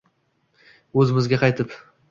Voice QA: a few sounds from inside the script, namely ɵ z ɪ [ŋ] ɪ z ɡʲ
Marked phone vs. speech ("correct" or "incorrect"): incorrect